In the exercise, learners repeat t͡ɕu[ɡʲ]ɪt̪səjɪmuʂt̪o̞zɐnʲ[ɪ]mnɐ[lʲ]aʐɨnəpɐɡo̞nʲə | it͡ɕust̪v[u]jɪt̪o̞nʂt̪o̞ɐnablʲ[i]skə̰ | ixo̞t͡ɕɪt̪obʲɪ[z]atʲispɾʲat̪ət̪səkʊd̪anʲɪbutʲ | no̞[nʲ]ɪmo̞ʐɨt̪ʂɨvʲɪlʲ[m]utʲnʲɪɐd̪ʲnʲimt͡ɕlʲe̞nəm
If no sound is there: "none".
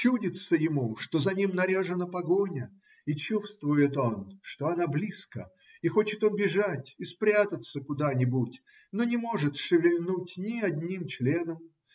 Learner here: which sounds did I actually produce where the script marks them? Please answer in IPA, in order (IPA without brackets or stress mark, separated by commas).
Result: dʲ, i, ɾʲ, ʊ, i, ʐ, nʲ, n